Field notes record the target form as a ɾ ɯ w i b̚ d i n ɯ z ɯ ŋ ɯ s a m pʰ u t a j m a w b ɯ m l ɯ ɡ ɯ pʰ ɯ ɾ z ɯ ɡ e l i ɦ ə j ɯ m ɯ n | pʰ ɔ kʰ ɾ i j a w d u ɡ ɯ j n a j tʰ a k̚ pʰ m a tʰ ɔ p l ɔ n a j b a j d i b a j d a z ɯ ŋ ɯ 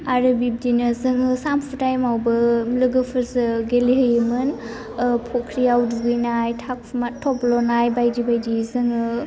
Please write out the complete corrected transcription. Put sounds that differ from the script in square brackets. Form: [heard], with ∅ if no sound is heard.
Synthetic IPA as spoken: a ɾ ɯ [b] i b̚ d i n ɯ z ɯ ŋ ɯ s a m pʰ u t a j m a w b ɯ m l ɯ ɡ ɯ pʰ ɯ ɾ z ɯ ɡ e l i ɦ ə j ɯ m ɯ n | pʰ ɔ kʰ ɾ i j a w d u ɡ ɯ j n a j tʰ a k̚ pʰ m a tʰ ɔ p l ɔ n a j b a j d i b a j d [i] z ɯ ŋ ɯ